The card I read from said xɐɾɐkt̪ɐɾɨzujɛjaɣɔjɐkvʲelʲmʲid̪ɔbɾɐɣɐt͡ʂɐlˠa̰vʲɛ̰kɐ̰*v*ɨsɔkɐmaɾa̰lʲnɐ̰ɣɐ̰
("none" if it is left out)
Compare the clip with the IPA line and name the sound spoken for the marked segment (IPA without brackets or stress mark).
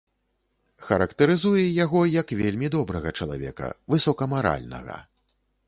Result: v